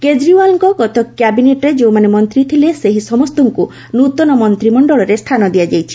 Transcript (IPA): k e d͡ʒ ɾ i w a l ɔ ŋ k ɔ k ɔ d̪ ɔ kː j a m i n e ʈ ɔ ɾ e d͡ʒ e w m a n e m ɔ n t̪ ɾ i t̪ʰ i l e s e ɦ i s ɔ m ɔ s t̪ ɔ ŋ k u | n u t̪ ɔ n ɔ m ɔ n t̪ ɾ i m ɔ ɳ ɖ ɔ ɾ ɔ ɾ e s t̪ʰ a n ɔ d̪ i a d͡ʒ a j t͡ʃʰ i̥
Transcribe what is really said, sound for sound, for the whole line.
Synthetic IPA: k e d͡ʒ ɾ i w a l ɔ ŋ k ɔ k ɔ t̪ ɔ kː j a b i n e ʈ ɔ ɾ e d͡ʒ e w m a n e m ɔ n t̪ ɾ i t̪ʰ i l e s e ɦ i s ɔ m ɔ s t̪ ɔ ŋ k u | n u t̪ ɔ n ɔ m ɔ n t̪ ɾ i m ɔ ɳ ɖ ɔ ɭ ɔ ɾ e s t̪ʰ a n ɔ d̪ i a d͡ʒ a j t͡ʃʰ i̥